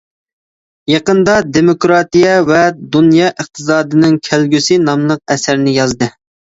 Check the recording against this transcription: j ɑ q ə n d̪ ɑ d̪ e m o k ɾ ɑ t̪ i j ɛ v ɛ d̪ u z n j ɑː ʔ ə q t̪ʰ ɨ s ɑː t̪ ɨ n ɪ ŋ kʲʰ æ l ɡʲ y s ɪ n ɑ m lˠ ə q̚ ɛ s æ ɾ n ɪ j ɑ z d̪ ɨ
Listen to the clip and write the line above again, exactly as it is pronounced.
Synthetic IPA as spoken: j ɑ q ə n d̪ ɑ d̪ e m o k ɾ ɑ t̪ i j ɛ v ɛ d̪ u n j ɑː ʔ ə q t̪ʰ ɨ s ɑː d̪ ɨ n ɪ ŋ kʲʰ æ l ɡʲ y s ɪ n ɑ m lˠ ə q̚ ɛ s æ ɾ n ɪ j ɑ z d̪ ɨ